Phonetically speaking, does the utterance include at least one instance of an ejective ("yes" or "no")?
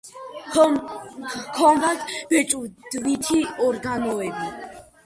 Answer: yes